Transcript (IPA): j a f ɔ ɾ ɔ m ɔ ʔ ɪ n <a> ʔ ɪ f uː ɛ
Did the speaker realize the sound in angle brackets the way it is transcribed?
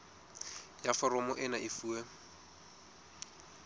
yes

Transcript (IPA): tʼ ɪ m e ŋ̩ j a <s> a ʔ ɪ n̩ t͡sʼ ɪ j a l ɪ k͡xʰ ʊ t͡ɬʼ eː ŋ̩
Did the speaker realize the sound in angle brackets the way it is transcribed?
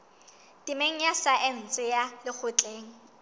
yes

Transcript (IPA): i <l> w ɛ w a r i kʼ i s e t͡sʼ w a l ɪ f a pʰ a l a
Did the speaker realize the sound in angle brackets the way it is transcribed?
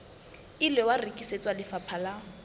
yes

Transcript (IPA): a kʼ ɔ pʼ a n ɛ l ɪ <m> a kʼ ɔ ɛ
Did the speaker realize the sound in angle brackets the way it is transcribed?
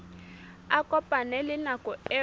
no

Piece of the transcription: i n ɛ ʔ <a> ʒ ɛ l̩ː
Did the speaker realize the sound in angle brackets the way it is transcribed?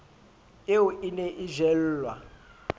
no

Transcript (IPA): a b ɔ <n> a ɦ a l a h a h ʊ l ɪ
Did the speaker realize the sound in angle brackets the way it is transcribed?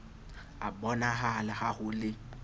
yes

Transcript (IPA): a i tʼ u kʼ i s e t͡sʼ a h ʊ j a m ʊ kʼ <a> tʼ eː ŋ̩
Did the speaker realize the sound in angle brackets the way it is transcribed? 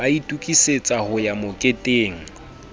no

